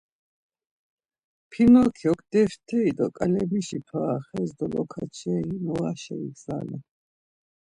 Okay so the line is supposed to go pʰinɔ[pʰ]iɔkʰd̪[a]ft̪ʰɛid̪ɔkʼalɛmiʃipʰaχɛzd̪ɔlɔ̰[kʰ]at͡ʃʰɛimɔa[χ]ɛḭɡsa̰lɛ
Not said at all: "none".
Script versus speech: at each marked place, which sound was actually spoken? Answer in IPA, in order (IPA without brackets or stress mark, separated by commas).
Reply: kʰ, ɛ, kʰ, ʃ